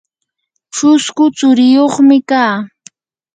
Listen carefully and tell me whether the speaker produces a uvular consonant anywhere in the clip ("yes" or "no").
yes